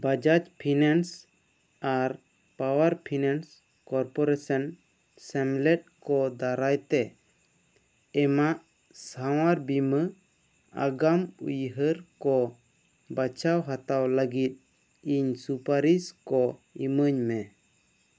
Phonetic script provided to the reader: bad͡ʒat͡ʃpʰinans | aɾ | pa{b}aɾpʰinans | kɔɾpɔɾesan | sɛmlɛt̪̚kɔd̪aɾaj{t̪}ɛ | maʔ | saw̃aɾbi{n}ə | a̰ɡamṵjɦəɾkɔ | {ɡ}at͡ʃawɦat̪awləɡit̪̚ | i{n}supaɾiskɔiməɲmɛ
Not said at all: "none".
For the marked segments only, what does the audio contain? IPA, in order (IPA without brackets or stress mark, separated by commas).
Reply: w, t̪, m, b, ɲ